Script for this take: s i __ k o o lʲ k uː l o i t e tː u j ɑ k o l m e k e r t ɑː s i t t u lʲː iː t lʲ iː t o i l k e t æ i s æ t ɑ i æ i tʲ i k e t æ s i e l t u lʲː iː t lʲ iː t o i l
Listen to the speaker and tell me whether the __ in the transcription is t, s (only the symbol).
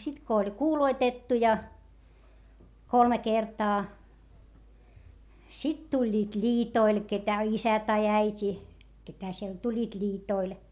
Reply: t